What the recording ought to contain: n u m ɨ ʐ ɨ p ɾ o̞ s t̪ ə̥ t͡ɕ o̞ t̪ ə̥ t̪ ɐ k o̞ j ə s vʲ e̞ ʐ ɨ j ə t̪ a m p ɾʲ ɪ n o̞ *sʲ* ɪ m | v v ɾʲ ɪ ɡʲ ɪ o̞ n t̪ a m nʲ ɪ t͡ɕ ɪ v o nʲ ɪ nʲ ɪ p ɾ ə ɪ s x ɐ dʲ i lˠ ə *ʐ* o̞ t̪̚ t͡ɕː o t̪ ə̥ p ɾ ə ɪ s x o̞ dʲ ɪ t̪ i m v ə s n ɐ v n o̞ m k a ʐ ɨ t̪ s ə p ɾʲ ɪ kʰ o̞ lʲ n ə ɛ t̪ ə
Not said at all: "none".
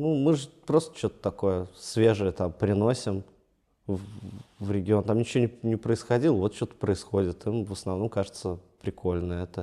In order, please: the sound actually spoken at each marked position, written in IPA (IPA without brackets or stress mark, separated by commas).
sʲ, v